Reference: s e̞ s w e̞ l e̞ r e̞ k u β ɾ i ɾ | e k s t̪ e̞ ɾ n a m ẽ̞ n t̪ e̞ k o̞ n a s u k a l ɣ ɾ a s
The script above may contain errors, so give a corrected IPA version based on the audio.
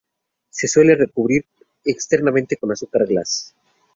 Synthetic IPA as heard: s e̞ s w e̞ l e̞ r e̞ k u β ɾ i ɾ | e k s t̪ e̞ ɾ n a m ẽ̞ n t̪ e̞ k o̞ n a s u k a ɾ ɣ l a s